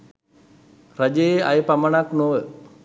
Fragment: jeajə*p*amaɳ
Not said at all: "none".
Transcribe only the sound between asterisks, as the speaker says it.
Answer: p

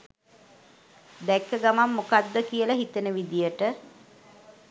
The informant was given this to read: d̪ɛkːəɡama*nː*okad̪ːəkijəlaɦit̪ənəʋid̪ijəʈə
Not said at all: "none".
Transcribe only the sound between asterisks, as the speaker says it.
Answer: mː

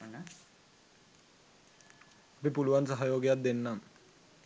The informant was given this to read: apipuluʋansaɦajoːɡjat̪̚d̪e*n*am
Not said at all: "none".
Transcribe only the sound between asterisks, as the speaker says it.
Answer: nː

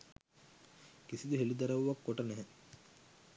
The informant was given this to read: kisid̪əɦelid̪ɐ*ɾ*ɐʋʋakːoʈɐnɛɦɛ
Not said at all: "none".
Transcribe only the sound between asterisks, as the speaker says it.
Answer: ɾ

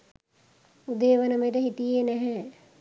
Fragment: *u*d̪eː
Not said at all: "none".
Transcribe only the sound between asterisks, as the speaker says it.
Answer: u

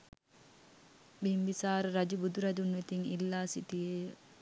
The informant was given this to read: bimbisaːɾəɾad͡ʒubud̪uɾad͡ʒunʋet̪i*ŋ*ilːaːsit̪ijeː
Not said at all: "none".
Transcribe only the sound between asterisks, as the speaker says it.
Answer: ŋ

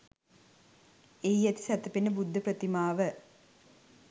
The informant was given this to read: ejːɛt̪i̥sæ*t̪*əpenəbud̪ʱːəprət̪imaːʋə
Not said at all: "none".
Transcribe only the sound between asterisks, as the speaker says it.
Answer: t̪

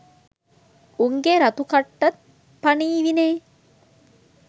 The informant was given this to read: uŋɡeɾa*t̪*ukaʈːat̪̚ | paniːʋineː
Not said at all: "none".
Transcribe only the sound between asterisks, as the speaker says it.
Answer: t̪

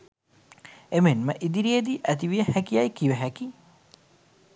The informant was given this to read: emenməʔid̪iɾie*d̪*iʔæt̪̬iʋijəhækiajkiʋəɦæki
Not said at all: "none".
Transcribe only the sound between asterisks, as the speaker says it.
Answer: d̪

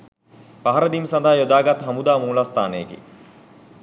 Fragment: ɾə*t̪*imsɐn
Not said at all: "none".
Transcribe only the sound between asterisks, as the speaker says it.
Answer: d̪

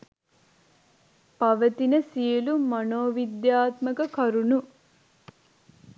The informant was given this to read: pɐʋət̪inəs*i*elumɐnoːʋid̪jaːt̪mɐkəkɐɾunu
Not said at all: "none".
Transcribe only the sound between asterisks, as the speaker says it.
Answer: i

